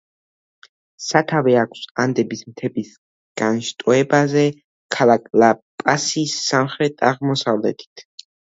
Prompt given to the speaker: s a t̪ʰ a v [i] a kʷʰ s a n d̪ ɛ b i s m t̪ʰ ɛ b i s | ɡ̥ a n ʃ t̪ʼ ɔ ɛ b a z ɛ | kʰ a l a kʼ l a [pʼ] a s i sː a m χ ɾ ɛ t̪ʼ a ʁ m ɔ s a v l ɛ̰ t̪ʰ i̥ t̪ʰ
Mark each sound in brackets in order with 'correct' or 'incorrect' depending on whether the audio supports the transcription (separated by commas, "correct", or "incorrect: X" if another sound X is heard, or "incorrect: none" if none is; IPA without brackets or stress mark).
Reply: incorrect: ɛ, correct